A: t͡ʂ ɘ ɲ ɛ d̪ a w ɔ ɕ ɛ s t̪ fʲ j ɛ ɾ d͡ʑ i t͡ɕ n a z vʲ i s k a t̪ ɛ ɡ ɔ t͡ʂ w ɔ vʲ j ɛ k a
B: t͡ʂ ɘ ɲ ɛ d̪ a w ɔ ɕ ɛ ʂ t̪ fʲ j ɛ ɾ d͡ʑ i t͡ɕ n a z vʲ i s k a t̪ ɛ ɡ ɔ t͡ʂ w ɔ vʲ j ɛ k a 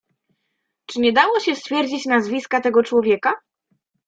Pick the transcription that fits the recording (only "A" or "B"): A